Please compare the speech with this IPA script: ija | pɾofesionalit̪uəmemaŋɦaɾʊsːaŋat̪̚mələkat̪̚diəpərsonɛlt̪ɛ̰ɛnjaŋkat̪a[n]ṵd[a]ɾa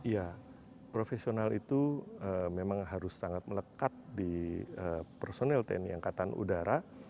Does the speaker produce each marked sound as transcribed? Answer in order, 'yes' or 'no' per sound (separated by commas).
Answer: yes, yes